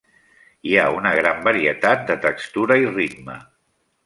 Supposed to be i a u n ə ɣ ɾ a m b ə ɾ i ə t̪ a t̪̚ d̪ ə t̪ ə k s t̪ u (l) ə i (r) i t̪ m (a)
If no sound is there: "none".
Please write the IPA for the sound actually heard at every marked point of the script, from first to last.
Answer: ɾ, r, ə

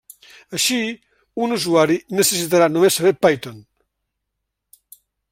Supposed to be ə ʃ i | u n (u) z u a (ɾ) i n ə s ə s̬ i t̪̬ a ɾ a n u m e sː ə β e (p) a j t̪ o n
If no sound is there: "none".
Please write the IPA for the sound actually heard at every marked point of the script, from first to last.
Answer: u, ɾ, p

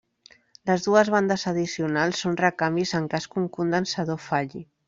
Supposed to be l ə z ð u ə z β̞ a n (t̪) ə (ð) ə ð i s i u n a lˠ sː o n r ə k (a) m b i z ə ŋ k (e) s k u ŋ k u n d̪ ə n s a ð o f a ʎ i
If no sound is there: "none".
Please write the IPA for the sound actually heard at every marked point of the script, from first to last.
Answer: d̪, z, a, a

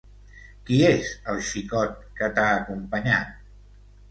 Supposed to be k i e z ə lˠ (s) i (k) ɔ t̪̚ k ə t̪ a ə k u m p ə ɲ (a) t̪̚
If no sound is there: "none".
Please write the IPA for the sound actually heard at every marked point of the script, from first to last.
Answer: ʃ, k, a

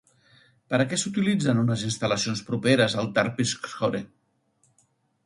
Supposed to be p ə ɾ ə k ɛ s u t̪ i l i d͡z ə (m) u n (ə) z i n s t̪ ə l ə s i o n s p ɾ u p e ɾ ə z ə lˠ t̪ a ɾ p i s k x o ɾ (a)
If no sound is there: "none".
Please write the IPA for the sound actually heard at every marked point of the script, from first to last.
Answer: n, ə, e

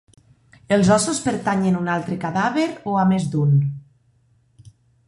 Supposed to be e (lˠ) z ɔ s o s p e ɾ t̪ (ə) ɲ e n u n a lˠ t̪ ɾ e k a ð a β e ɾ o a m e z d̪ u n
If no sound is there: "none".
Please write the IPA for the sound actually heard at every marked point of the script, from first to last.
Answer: lˠ, a

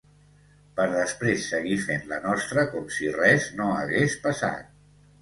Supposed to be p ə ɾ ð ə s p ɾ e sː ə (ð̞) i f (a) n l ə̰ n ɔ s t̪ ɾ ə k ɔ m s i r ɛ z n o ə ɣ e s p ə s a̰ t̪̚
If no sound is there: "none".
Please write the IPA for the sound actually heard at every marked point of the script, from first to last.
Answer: ɣ̞, e

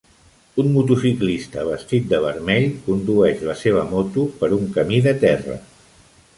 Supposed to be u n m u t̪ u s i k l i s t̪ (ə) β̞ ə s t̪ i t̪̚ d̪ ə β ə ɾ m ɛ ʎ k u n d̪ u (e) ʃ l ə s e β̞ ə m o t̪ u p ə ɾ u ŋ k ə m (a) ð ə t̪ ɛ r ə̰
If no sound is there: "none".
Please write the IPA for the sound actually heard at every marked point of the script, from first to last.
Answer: ə, ɛ, i

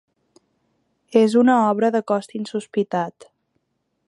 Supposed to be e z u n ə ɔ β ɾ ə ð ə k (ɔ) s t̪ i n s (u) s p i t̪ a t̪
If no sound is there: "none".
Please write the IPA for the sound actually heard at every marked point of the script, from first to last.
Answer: ɔ, u

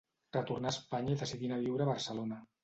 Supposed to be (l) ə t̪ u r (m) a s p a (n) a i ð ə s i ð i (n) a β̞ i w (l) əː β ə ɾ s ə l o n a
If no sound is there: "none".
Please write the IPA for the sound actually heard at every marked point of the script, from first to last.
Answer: r, n, ɲ, n, ɾ

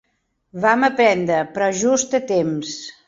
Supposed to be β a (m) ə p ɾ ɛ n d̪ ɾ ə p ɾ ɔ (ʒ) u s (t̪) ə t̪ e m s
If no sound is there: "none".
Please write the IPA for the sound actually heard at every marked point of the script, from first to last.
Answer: m, ʒ, t̪

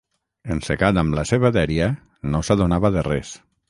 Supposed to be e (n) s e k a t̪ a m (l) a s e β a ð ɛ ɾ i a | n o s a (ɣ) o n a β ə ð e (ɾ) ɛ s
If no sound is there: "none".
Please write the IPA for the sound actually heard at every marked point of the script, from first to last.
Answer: n, l, ð, r

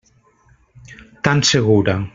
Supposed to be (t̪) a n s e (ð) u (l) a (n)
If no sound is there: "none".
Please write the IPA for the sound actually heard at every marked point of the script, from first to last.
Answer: t̪, ɣ, ɾ, none

